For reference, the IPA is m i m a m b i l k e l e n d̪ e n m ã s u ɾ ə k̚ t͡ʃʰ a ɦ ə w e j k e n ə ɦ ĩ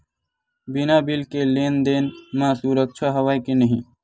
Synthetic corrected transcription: b i n a b i l k e l e n d̪ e n m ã s u ɾ ə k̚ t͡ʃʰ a ɦ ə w a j k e n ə ɦ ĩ

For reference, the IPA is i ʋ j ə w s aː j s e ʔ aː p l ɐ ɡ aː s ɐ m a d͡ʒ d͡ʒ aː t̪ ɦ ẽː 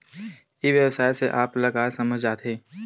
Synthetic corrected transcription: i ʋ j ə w s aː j s e ʔ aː p l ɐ ɡ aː s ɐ m ə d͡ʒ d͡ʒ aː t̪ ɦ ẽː

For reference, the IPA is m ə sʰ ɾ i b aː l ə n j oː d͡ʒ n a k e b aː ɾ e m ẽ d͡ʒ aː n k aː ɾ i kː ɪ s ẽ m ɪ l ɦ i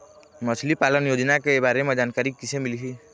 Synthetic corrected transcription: m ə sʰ l i p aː l ə n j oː d͡ʒ n a k e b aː ɾ e m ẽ d͡ʒ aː n k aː ɾ i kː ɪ s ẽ m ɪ l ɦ i

